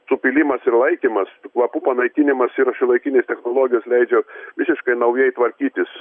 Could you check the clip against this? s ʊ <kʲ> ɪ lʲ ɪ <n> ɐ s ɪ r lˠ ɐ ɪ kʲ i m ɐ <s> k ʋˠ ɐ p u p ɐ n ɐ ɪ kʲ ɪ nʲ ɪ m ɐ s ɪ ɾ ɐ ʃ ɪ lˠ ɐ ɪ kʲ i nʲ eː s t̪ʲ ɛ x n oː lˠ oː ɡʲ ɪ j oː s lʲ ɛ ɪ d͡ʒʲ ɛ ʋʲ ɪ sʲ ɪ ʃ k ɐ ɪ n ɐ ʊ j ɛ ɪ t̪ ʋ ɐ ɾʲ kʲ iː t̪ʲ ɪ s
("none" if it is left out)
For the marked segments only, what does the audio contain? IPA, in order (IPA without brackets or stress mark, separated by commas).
pʲ, m, s